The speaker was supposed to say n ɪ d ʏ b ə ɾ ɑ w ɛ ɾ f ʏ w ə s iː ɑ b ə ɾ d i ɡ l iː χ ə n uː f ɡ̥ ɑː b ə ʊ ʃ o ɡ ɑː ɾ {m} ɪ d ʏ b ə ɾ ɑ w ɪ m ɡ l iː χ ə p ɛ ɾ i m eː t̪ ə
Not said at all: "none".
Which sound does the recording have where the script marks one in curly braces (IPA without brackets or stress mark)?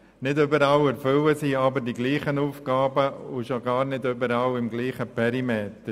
n